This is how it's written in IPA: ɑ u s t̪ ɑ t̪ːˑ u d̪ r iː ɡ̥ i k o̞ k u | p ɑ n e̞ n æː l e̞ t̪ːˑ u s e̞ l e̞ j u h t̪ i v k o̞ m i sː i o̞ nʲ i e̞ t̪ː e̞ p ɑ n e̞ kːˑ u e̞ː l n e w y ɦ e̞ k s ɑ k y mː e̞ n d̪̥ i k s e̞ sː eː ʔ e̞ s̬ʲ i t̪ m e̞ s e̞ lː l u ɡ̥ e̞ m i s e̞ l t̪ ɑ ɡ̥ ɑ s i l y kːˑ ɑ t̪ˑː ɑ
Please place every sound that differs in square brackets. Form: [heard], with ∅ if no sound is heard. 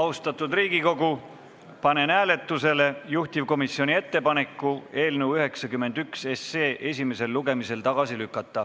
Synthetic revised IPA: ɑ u s t̪ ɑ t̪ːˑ u d̪ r iː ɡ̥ i k o̞ [ɡ] u | p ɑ n e̞ n æː l e̞ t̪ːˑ u s e̞ l e̞ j u h t̪ i v k o̞ m i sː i o̞ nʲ i e̞ t̪ː e̞ p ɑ n e̞ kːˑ u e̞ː l n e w y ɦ e̞ k s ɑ k y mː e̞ n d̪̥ [y] k s e̞ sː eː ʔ e̞ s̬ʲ i [∅] m e̞ s e̞ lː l u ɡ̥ e̞ m i s e̞ l t̪ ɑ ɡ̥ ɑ s i l y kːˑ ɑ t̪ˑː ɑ

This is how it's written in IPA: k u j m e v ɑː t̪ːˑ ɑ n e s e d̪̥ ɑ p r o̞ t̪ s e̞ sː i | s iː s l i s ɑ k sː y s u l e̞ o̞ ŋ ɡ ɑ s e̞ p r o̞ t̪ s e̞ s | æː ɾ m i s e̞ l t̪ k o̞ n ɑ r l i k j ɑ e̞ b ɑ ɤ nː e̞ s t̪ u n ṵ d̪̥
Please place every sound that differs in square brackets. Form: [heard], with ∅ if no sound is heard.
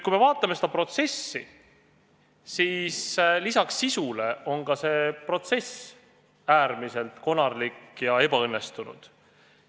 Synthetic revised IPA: k u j m e v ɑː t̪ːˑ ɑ [m] e s e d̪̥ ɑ p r o̞ t̪ s e̞ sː i | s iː s l i s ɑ k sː [i] s u l e̞ o̞ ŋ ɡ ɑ s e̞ p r o̞ t̪ s e̞ s | æː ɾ m i s e̞ l t̪ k o̞ n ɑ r l i k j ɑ e̞ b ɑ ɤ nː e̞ s t̪ u n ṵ d̪̥

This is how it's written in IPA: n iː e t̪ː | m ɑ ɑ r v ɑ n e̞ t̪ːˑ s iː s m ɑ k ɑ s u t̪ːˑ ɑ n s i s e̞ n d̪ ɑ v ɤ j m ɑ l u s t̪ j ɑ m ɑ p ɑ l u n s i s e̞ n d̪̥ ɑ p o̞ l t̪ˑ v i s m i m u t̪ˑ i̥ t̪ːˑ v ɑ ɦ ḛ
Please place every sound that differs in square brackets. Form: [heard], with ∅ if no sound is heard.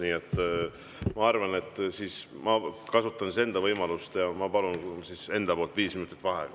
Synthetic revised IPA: n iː e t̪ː | m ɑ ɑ r v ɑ n e̞ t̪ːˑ s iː s m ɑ k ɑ s u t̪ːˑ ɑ n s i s e̞ n d̪ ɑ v ɤ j m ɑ l u s t̪ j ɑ m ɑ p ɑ l u n s i s e̞ n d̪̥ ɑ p o̞ l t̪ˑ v [iː] s m i [n] u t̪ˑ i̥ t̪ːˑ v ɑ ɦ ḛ

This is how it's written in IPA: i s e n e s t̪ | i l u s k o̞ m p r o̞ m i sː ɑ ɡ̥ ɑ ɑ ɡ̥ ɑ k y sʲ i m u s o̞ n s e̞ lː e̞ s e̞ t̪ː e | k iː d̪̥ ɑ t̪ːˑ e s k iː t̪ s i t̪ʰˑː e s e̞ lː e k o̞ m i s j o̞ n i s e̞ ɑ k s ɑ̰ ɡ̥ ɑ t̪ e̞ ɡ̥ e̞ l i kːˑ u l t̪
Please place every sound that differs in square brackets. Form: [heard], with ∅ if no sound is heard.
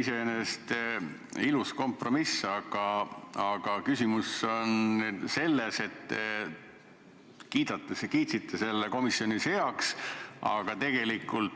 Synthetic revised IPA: i s e n e s t̪ | i l u s k o̞ m p r o̞ m i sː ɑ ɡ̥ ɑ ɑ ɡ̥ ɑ k y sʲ i m u s o̞ n s e̞ lː e̞ s e̞ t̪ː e | k iː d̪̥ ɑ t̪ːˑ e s k iː t̪ s i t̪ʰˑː e s e̞ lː e k o̞ m i s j o̞ n i s e̞ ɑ k s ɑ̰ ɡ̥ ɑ t̪ e̞ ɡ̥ e̞ l i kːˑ u l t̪

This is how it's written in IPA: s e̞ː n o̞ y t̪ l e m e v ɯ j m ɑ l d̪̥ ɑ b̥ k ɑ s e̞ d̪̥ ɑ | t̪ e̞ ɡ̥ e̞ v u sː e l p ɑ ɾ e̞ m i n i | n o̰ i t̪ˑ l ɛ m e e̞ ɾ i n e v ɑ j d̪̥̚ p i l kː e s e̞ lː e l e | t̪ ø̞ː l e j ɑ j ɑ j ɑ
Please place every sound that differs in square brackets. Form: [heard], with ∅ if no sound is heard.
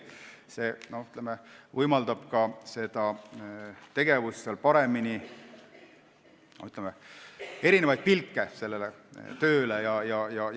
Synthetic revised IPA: s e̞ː n o̞ y t̪ l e m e v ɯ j m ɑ l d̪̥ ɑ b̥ k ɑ s e̞ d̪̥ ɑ | t̪ e̞ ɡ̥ e̞ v u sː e l p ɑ ɾ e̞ m i n i | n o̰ [y] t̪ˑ l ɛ m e e̞ ɾ i n e v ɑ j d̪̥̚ p i l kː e s e̞ lː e l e | t̪ ø̞ː l e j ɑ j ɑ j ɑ

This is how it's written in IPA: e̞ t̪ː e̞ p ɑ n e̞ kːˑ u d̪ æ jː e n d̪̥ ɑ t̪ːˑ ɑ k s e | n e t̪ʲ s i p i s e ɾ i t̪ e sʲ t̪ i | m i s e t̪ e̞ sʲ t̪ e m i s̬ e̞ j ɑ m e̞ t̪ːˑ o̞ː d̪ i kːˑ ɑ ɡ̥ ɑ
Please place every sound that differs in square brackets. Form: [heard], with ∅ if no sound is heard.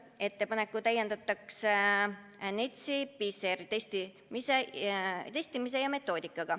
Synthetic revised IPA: e̞ t̪ː e̞ p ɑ n e̞ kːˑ u [t̪] æ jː e n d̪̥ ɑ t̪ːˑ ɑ k s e | n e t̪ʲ s i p i s e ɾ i t̪ e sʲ t̪ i | m i s e t̪ e̞ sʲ t̪ [i] m i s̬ e̞ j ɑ m e̞ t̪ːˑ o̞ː d̪ i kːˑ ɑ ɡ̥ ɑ

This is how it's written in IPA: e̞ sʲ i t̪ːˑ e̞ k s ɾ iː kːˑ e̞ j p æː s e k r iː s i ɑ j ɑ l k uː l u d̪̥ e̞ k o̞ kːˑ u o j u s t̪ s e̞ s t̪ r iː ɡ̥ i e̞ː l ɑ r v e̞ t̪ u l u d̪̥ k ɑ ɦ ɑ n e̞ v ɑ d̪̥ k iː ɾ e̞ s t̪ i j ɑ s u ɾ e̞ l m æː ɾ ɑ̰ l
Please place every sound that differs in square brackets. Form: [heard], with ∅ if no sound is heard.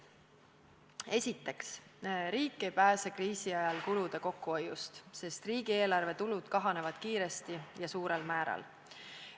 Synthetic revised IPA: e̞ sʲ i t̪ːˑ e̞ k s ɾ iː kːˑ e̞ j p æː s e k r iː s i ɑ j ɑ l k [u] l u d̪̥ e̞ k o̞ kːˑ u o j u s t̪ s e̞ s t̪ r iː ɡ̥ i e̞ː l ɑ r v e̞ t̪ u l u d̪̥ k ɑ ɦ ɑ n e̞ v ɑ d̪̥ k iː ɾ e̞ s t̪ i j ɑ s [uː] ɾ e̞ l m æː ɾ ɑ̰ l

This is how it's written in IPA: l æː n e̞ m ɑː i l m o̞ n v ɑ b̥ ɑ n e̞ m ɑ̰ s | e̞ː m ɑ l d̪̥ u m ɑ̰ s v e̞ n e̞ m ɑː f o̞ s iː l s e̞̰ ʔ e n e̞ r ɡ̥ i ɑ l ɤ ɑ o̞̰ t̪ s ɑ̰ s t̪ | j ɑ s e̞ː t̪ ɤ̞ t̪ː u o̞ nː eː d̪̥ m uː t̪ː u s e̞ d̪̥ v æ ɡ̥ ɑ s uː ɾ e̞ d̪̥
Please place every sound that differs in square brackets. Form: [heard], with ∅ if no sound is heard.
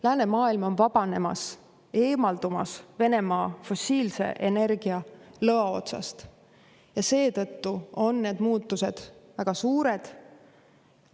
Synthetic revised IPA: l æː n e̞ m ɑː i l m o̞ n v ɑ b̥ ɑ n e̞ m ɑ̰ s | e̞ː m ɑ l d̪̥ u m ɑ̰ s v e̞ n e̞ m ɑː f o̞ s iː l s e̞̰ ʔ e n e̞ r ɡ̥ i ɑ l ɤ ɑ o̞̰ t̪ s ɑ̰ s t̪ | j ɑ s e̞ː t̪ ɤ̞ t̪ː u o̞ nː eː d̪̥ m uː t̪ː u s e̞ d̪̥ v æ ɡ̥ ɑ s uː ɾ e̞ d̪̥

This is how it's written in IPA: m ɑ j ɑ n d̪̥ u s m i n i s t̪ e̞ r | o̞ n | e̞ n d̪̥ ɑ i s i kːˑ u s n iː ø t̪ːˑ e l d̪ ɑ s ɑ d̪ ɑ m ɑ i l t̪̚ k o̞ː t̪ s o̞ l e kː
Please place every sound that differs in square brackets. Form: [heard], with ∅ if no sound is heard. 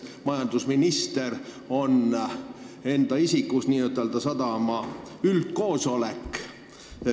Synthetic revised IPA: m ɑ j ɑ n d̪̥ u s m i n i s t̪ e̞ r | o̞ n | e̞ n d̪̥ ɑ i s i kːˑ u s n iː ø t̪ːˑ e l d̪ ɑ s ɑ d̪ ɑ m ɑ [y] l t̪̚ k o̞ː [∅] s o̞ l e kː

